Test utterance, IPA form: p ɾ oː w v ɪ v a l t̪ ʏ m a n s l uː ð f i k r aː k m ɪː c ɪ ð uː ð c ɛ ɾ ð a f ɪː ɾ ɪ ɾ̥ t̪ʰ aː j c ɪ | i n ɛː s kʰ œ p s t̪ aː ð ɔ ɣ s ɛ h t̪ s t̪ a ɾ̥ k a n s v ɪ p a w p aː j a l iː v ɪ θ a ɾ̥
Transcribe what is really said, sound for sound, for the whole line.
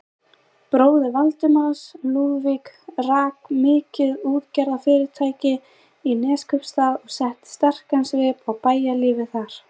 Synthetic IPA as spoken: p ɾ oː w ð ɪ v a l t̪ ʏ m a n s l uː ð v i k r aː k m ɪː c ɪ ð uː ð c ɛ ɾ ð a f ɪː ɾ ɪ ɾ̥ t̪ʰ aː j c ɪ | i n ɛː s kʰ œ p s t̪ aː ð ɔ ɣ s ɛ h t̪ s t̪ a r̥ k a n s v ɪ p a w p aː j a l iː v ɪ θ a ɾ̥